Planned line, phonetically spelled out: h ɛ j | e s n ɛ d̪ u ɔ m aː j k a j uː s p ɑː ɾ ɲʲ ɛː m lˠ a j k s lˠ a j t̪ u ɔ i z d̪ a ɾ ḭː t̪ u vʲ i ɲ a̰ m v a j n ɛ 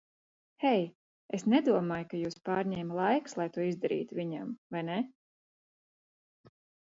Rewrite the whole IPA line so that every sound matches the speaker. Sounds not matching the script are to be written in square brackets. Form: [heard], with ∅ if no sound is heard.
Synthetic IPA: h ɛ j | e s n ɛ d̪ u ɔ m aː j k a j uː s p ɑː ɾ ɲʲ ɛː m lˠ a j k s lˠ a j t̪ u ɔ i z d̪ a ɾ ḭː t̪ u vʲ i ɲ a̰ m v a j n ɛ